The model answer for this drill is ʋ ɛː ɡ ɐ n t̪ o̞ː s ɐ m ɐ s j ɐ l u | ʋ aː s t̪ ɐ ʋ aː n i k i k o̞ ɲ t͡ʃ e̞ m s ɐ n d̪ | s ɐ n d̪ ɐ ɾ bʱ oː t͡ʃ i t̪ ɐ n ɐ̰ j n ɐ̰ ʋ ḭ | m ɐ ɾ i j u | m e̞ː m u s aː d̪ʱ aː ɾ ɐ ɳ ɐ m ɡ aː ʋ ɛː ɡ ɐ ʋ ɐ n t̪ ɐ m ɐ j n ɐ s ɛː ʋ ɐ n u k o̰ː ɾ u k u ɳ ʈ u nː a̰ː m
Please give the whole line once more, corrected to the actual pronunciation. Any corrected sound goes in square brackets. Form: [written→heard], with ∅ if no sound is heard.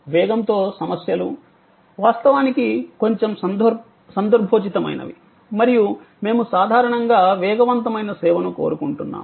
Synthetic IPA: ʋ ɛː ɡ ɐ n t̪ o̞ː s ɐ m ɐ s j ɐ l u | ʋ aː s t̪ ɐ ʋ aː n i k i k o̞ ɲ t͡ʃ e̞ m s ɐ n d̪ | s ɐ n d̪ ɐ ɾ bʱ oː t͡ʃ i t̪ ɐ [n→m] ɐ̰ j n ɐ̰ ʋ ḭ | m ɐ ɾ i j u | m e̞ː m u s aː d̪ʱ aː ɾ ɐ ɳ ɐ [m→ŋ] ɡ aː ʋ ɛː ɡ ɐ ʋ ɐ n t̪ ɐ m ɐ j n ɐ s ɛː ʋ ɐ n u k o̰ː ɾ u k u ɳ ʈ u nː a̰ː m

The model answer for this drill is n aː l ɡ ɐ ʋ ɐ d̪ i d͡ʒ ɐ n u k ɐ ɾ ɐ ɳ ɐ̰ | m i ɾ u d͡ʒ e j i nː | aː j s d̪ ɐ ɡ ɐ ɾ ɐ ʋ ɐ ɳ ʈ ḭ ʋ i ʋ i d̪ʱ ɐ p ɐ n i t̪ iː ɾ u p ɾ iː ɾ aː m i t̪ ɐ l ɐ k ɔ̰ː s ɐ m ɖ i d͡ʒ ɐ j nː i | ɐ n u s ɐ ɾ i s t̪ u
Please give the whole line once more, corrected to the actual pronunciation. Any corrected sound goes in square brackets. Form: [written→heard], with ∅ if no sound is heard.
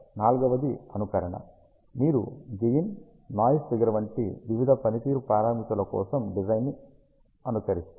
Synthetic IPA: n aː l ɡ ɐ ʋ ɐ d̪ i [d͡ʒ→∅] ɐ n u k ɐ ɾ ɐ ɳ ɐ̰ | m [i→iː] ɾ u d͡ʒ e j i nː | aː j s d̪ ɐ ɡ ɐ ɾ ɐ ʋ ɐ ɳ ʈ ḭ ʋ i ʋ i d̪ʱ ɐ p ɐ n i t̪ iː ɾ u p ɾ [iː→aː] ɾ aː m i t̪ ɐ l ɐ k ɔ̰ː s ɐ m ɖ i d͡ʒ ɐ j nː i | ɐ n u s ɐ ɾ i s t̪ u

